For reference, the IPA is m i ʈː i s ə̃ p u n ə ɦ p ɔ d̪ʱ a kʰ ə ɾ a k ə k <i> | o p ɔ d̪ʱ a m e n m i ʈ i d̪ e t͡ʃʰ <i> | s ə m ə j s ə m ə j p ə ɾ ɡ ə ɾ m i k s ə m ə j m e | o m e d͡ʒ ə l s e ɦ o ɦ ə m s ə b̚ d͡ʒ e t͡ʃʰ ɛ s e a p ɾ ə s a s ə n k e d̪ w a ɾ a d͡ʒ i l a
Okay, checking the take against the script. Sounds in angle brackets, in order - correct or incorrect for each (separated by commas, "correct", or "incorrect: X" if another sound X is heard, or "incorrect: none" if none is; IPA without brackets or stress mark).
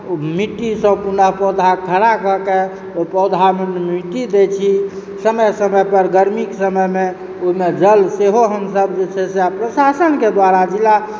incorrect: e, correct